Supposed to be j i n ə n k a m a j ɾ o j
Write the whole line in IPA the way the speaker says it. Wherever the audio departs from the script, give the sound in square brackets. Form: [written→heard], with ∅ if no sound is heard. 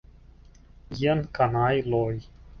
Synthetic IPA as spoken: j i [n→∅] ə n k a [m→n] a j [ɾ→l] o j